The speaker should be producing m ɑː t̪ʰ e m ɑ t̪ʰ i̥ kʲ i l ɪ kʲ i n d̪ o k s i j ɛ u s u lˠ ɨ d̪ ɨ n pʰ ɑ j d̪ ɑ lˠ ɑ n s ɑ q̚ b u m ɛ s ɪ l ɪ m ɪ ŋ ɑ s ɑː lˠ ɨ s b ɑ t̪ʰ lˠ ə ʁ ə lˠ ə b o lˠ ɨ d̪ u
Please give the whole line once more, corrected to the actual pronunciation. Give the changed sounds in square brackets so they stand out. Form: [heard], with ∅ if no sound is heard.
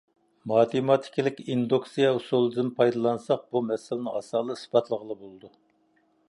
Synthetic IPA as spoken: m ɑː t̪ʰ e m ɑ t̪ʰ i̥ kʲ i l ɪ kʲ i n d̪ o k s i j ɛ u s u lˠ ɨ d̪ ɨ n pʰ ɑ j d̪ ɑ lˠ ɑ n s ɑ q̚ b u m ɛ s ɪ l ɪ [n] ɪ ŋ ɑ s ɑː lˠ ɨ s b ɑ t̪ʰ lˠ ə ʁ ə lˠ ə b o lˠ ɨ d̪ u